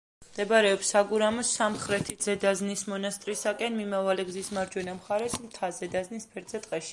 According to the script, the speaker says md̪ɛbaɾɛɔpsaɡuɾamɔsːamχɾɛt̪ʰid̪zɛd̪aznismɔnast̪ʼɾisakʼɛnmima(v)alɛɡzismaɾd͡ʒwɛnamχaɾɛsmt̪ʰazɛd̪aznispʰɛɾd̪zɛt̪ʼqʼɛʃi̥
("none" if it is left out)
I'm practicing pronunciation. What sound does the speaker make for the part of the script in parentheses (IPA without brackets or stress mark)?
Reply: v